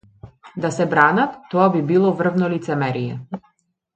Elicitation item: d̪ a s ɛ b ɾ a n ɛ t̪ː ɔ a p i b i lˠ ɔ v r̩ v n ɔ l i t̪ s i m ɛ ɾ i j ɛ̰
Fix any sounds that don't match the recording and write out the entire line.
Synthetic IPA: d̪ a s ɛ b ɾ a n a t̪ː ɔ a b i b i lˠ ɔ v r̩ v n ɔ l i t̪ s ɛ m ɛ ɾ i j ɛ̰